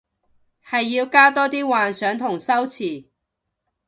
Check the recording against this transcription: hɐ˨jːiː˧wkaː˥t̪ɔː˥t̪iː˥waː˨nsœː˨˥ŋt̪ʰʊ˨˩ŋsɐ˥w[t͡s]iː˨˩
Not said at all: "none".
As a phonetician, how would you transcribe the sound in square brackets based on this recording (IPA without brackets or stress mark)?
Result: t͡sʰ